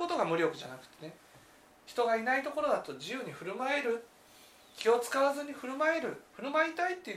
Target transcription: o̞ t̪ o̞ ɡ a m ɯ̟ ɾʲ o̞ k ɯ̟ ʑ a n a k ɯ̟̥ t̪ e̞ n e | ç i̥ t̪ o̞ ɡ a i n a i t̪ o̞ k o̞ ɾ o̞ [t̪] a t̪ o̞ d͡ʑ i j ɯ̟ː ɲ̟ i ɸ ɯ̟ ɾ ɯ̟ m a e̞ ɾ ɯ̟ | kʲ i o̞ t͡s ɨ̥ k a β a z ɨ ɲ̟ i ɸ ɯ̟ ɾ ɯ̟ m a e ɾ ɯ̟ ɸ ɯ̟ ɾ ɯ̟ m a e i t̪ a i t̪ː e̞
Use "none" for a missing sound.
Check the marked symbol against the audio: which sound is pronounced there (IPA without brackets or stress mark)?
d̪